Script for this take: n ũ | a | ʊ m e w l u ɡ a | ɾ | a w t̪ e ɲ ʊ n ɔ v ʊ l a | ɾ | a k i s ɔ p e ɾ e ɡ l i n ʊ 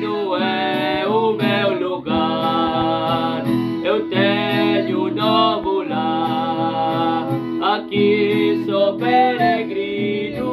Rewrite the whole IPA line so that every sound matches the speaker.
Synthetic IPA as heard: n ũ | ɛ | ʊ m e w l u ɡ a | ɾ | e w t̪ e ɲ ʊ n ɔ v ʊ l a | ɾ | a k i s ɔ p e ɾ e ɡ ɾ i n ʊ

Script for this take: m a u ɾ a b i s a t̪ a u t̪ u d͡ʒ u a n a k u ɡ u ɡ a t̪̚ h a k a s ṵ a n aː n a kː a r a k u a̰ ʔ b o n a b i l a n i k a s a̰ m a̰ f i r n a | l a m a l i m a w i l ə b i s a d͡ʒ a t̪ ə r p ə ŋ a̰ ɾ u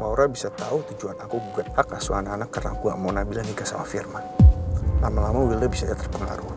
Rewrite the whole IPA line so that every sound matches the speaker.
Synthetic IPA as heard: m a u ɾ a b i s a t̪ a u t̪ u d͡ʒ u a n a k u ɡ u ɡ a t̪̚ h a k a s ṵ a n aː n a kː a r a k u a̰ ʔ m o n a b i l a n i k a s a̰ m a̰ f i r m a | l a m a l a m a w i l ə b i s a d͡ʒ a t̪ ə r p ə ŋ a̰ ɾ u

